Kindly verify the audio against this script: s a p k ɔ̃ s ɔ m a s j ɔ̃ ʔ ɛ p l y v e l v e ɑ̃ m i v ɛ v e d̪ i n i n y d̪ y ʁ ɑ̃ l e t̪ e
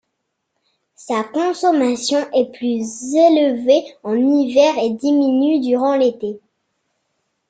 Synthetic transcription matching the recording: s a k ɔ̃ s ɔ m a s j ɔ̃ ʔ ɛ p l y z e l v e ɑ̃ n i v ɛ ʁ e d̪ i m i n y d̪ y ʁ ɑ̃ l e t̪ e